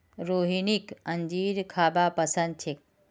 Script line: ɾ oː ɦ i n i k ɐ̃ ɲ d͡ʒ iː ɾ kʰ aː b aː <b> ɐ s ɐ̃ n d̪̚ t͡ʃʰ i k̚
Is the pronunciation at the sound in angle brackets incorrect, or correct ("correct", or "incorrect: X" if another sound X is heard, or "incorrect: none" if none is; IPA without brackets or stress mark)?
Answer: incorrect: p